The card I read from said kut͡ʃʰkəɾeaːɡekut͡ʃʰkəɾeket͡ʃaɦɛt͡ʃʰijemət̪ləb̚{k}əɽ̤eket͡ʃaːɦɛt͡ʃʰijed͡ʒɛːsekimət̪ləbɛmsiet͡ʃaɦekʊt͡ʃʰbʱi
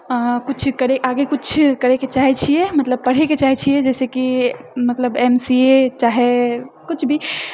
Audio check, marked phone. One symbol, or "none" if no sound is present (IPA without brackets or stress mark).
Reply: p